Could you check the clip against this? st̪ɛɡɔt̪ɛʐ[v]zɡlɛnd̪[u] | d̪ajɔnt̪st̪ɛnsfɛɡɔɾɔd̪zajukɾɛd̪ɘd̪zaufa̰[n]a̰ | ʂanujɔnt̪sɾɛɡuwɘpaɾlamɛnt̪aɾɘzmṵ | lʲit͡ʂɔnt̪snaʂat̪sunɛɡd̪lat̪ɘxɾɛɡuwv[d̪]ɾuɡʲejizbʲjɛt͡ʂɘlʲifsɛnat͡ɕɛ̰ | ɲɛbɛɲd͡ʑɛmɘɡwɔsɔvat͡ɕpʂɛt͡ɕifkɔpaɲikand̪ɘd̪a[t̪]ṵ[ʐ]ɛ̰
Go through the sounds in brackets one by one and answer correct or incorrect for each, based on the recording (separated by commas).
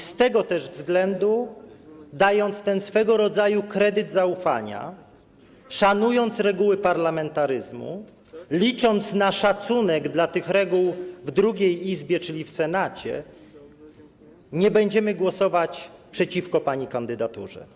correct, correct, incorrect, correct, correct, correct